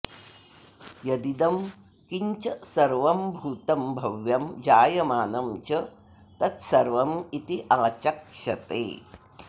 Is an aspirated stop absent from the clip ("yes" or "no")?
yes